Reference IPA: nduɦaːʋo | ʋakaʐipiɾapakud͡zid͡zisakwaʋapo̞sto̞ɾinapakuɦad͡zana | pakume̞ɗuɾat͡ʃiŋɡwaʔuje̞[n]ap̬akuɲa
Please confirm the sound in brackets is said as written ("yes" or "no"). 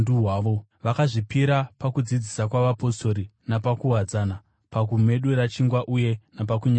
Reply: yes